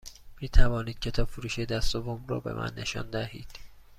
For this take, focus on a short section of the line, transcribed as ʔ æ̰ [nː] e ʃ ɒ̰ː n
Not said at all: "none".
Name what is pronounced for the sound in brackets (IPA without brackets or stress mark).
nː